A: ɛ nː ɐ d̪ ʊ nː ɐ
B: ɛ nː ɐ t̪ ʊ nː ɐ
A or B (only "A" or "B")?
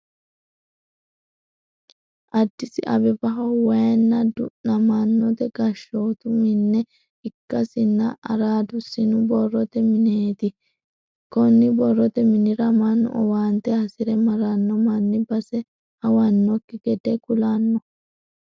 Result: A